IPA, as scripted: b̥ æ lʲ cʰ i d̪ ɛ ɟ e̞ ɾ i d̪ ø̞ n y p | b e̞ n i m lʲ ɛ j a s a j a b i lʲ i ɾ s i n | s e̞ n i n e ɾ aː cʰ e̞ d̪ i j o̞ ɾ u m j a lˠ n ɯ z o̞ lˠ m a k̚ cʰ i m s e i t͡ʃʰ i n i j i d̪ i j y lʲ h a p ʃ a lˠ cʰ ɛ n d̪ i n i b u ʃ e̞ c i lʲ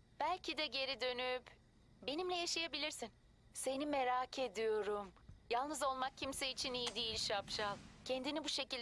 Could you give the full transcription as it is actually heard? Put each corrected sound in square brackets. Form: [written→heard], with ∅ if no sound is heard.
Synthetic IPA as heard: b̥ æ lʲ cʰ i d̪ ɛ ɟ e̞ ɾ i d̪ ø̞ n y p | b e̞ n i m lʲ ɛ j a [s→ʃ] a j a b i lʲ i ɾ s i n | s e̞ n i [n→m] e ɾ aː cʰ e̞ d̪ i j o̞ ɾ u m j a lˠ n ɯ z o̞ lˠ m a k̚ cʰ i m s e i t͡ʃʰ i n i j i d̪ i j [y→i] lʲ [h→ʃ] a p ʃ a lˠ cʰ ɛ n d̪ i n i b u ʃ e̞ c i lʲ